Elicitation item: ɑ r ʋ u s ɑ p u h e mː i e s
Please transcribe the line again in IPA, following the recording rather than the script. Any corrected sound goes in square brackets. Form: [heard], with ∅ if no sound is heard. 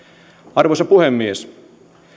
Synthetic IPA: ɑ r ʋ [o] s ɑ p u h e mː i e s